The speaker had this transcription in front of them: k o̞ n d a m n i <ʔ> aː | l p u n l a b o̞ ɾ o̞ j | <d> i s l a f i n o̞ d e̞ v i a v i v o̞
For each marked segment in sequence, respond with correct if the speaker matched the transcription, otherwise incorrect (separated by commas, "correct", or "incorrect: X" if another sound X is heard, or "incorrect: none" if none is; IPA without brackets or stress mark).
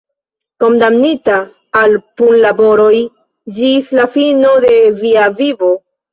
incorrect: t, incorrect: d͡ʒ